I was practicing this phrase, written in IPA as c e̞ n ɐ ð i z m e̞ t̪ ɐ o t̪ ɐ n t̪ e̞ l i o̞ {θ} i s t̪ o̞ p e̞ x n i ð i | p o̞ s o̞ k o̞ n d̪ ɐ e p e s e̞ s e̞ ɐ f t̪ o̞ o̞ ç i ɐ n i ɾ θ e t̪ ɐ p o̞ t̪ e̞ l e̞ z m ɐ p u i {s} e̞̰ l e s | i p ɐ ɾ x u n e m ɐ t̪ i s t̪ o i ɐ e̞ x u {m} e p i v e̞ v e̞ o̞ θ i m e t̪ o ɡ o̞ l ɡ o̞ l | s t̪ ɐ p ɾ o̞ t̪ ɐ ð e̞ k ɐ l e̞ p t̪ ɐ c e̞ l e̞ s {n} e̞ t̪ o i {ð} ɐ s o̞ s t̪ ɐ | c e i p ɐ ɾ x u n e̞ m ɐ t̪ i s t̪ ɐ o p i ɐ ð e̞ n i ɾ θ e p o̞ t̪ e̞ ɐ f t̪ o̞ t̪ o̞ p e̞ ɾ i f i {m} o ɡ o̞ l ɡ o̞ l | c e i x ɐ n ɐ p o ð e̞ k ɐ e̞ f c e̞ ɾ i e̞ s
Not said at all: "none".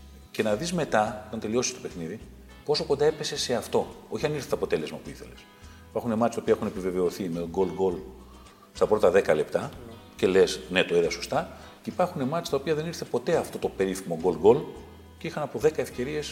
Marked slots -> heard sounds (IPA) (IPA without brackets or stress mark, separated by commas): s, θ, n, n, ð, m